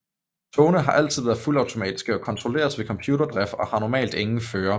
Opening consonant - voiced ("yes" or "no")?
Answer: no